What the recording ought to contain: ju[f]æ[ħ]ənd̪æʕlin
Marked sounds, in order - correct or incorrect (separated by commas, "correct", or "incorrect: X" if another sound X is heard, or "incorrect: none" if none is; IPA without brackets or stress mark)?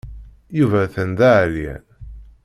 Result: incorrect: v, incorrect: θ